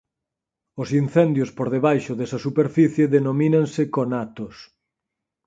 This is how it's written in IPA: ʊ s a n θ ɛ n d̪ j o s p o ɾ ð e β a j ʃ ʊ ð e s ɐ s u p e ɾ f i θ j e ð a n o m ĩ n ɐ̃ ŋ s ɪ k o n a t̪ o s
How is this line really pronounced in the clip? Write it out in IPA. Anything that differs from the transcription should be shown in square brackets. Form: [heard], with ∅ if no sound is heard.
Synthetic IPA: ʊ s [i] n θ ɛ n d̪ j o s p o ɾ ð e β a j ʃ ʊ ð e s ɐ s u p e ɾ f i θ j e ð [e] n o m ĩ n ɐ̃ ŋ s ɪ k o n a t̪ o s